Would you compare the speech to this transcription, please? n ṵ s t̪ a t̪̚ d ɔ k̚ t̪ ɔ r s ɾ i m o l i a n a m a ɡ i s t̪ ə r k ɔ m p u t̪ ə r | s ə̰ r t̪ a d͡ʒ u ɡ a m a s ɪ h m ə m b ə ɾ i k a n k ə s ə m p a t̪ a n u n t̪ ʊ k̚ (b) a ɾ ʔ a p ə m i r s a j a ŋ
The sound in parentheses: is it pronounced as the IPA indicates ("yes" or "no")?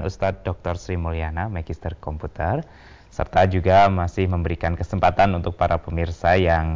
no